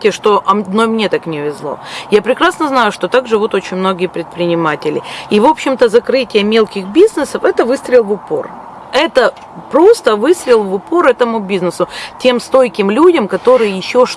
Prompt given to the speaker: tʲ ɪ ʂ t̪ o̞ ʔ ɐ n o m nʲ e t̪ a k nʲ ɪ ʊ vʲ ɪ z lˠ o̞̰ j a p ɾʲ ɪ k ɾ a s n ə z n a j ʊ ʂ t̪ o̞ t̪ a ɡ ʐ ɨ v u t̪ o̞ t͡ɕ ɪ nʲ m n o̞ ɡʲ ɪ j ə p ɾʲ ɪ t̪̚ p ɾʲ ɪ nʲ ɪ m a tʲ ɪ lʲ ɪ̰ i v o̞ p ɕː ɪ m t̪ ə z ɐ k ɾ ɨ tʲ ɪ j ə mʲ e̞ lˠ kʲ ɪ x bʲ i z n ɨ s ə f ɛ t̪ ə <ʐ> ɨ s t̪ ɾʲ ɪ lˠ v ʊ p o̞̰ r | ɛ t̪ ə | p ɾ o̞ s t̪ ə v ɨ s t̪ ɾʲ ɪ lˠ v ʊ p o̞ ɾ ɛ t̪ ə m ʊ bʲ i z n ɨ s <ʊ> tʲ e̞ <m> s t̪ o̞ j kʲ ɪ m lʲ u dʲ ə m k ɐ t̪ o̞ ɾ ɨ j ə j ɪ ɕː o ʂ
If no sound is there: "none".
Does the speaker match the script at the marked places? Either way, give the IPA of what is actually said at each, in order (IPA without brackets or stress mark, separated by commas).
v, ʊ, m